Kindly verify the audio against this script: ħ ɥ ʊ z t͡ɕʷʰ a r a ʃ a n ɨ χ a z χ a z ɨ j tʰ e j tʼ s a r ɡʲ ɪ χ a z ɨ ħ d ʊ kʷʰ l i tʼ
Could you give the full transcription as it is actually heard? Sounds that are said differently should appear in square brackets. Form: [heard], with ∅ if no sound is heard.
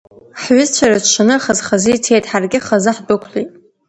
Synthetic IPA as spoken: ħ ɥ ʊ z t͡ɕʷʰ a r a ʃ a n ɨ χ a z χ a z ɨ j tʰ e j tʼ [ħ] a r ɡʲ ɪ χ a z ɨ ħ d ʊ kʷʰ l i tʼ